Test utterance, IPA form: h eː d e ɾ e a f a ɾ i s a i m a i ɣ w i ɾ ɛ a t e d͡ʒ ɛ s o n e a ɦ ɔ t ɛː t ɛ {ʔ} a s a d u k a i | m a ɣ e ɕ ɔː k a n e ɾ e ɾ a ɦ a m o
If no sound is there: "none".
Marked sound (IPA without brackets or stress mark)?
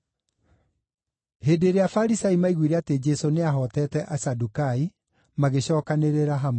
ʔ